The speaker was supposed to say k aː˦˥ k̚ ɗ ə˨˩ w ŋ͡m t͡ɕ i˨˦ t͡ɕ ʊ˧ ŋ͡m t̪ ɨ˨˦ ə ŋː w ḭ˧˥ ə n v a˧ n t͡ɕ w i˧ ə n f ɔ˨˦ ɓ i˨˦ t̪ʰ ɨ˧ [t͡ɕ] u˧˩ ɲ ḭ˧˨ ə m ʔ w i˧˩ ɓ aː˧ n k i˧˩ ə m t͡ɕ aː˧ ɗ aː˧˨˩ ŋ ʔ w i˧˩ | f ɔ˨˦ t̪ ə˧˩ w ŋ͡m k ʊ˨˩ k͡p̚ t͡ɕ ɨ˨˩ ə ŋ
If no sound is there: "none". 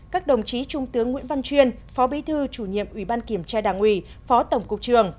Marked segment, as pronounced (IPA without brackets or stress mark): t͡ɕ